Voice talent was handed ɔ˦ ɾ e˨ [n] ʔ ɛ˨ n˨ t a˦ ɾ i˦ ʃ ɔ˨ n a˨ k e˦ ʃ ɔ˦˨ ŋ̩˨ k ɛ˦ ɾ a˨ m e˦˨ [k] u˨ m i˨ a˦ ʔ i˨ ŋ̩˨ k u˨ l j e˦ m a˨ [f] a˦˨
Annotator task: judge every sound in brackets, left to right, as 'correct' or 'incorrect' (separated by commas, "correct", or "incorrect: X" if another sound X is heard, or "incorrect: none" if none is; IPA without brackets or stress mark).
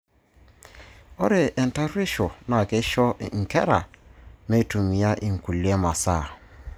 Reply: incorrect: none, incorrect: t, incorrect: s